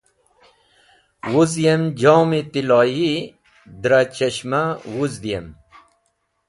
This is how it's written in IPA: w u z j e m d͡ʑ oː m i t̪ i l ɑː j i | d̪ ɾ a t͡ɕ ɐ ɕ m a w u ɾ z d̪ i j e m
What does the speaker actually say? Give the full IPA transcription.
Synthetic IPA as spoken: w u z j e m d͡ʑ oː m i t̪ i l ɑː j i | d̪ ɾ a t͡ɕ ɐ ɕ m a w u z d̪ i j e m